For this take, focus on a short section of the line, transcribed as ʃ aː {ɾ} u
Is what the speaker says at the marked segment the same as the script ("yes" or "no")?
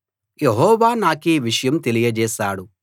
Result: no